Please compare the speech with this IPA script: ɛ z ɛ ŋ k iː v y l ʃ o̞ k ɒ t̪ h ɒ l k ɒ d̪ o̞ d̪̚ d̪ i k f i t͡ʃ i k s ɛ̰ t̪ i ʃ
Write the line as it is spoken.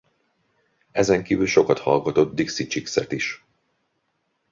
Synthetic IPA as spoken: ɛ z ɛ ŋ k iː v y l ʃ o̞ k ɒ t̪ h ɒ l ɡ ɒ t̪ o̞ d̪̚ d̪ i k s i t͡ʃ i k s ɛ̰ t̪ i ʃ

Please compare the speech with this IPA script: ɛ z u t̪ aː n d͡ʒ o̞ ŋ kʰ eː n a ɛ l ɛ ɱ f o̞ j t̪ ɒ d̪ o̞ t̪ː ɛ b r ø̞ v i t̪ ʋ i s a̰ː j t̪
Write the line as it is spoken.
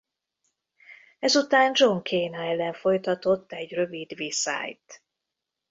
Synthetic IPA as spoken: ɛ z u t̪ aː n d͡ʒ o̞ ŋ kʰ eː n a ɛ l ɛ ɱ f o̞ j t̪ ɒ t̪ o̞ t̪ː ɛ ɟ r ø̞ v i d̪ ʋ i s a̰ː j t̪

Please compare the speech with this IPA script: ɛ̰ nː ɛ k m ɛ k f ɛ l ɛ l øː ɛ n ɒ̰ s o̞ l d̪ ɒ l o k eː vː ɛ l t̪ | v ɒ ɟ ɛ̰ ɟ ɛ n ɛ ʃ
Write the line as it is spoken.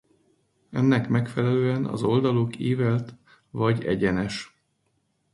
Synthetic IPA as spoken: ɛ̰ nː ɛ k m ɛ k f ɛ l ɛ l øː ɛ n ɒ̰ z o̞ l d̪ ɒ l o k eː v ɛ l t̪ | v ɒ ɟ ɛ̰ ɟ ɛ n ɛ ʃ

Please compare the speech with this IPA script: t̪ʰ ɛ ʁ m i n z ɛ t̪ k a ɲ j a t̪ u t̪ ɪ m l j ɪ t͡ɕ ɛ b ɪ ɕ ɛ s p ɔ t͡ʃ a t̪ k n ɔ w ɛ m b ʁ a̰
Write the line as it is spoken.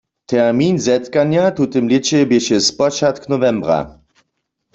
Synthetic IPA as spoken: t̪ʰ ɛ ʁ m i n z ɛ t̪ k a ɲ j a t̪ u t̪ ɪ m l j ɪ t͡ɕ ɛ b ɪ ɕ ɛ s p ɔ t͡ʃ a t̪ k n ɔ v ɛ m b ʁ a̰

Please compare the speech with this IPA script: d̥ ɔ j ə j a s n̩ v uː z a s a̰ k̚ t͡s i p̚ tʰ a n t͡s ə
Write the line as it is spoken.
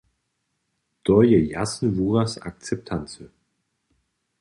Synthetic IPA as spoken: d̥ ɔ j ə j a s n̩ v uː ʁ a s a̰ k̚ t͡s ɛ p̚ tʰ a n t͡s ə

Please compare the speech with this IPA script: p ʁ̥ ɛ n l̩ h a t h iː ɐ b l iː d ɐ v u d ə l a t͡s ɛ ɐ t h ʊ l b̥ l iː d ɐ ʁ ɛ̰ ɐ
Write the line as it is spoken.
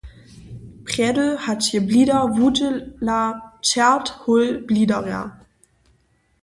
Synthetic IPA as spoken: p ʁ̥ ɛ d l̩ h a t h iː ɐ b l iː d ɐ v u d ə l a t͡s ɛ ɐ t h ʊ l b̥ l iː d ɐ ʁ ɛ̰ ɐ

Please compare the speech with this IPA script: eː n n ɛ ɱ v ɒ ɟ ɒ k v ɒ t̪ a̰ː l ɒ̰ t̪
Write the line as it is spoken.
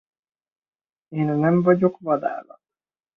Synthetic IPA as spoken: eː n n ɛ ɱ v ɒ ɟ o k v ɒ d̪ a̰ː l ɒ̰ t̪

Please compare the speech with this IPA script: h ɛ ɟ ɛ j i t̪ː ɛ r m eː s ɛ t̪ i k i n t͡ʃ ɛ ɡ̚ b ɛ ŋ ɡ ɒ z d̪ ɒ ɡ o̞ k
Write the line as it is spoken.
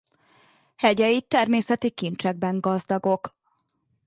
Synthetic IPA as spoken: h ɛ ɟ ɛ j i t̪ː ɛ r m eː s ɛ t̪ i k i n t͡ʃ ɛ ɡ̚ b ɛ ŋ ɡ ɒ z d̪ ɒ ɡ o̞ k

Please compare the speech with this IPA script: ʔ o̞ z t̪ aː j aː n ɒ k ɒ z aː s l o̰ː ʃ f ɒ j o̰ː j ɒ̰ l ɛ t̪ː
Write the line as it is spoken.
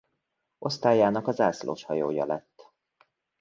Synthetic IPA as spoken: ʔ o̞ s t̪ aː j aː n ɒ k ɒ z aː s l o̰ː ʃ h ɒ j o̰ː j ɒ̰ l ɛ t̪ː

